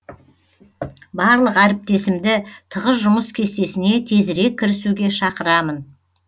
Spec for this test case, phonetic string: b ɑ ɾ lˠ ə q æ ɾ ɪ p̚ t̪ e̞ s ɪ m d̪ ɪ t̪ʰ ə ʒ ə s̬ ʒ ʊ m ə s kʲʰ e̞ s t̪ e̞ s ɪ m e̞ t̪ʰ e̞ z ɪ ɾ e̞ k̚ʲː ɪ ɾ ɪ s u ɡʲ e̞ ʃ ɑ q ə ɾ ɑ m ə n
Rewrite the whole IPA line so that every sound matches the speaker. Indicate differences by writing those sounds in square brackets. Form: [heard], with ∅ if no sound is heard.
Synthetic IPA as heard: b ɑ ɾ lˠ ə q æ ɾ ɪ p̚ t̪ e̞ s ɪ m d̪ ɪ t̪ʰ ə [ʁ] ə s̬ ʒ ʊ m ə s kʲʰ e̞ s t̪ e̞ s ɪ [n] e̞ t̪ʰ e̞ z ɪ ɾ e̞ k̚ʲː ɪ ɾ ɪ s u ɡʲ e̞ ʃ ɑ q ə ɾ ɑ m ə n